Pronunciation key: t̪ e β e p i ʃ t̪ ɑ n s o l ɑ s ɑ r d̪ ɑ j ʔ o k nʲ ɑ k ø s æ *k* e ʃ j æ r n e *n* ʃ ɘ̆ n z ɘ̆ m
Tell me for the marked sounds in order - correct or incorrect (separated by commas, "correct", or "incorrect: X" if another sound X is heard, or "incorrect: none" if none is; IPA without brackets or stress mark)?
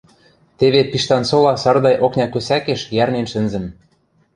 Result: correct, correct